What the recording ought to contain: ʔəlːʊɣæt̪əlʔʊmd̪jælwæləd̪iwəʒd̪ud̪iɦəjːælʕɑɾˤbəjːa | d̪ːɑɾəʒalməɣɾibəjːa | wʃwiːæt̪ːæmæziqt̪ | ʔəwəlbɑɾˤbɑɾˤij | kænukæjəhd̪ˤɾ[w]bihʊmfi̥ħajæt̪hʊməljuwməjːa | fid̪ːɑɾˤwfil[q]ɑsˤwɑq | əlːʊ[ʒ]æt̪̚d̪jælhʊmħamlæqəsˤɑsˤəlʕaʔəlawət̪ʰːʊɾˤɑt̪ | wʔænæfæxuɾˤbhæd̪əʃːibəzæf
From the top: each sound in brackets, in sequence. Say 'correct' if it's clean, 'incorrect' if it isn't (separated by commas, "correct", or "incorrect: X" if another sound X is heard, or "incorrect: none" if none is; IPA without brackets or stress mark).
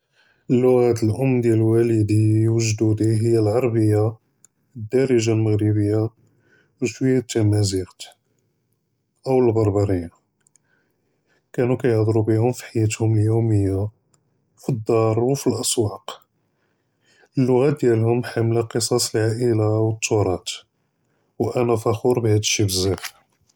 incorrect: u, incorrect: ʔ, incorrect: ɣ